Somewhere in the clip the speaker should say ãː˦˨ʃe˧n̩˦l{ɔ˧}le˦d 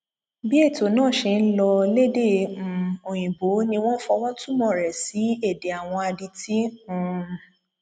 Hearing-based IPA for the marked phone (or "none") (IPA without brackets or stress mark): ɔ˧